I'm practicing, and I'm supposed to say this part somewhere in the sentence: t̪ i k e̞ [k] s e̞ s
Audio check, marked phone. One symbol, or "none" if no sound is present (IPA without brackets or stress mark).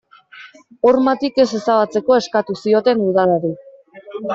none